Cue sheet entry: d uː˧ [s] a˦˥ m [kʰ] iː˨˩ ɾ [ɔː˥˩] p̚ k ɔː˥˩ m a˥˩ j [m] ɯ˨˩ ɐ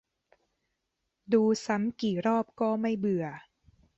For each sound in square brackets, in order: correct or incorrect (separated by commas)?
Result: correct, incorrect, correct, incorrect